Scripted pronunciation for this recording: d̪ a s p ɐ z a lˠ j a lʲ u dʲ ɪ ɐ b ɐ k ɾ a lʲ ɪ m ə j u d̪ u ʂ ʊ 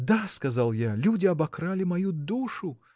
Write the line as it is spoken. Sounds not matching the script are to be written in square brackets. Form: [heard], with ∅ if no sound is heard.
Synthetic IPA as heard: d̪ a s [k] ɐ z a lˠ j a lʲ u dʲ ɪ ɐ b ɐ k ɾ a lʲ ɪ m [ɐ] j u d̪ u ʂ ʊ